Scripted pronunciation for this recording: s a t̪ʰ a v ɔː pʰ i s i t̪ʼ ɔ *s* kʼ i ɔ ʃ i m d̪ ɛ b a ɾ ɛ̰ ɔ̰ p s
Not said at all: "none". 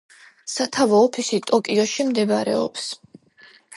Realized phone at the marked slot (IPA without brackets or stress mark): none